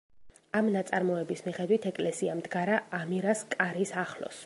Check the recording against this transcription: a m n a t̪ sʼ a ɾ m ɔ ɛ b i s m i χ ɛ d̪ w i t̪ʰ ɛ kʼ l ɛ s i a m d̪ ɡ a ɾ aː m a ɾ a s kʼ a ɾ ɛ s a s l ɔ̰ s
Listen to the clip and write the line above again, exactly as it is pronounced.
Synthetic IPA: a m n a t̪ sʼ a ɾ m ɔ ɛ b i s m i χ ɛ d̪ w i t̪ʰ ɛ kʼ l ɛ s i a m d̪ ɡ a ɾ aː m i ɾ a s kʼ a ɾ i s a χ l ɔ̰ s